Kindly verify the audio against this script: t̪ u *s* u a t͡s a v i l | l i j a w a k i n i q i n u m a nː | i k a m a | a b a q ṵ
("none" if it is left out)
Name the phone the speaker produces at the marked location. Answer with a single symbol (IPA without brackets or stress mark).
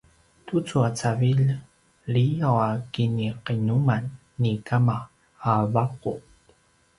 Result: t͡s